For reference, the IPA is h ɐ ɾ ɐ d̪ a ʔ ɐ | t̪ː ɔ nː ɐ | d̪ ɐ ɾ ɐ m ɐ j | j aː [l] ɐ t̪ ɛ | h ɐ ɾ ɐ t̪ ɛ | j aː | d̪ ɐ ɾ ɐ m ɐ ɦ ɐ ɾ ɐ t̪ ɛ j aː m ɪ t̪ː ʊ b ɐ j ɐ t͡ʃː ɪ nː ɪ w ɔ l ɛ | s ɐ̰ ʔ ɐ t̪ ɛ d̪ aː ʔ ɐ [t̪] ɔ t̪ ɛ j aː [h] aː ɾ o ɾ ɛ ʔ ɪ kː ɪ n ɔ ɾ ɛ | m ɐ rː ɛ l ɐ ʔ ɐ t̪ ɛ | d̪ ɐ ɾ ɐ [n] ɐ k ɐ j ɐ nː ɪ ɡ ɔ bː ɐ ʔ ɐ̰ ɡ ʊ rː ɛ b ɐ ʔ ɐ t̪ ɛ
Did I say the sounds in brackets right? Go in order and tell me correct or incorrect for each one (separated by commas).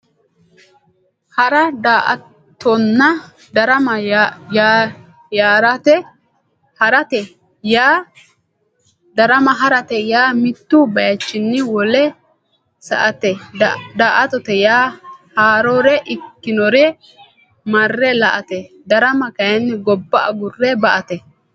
incorrect, correct, correct, incorrect